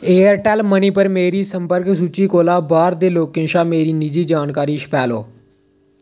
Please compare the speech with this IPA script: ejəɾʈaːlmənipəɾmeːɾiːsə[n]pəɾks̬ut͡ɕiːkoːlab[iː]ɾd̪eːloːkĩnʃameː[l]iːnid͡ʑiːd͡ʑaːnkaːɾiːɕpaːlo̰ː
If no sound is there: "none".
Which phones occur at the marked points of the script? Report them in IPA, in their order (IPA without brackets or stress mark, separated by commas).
m, aː, ɾ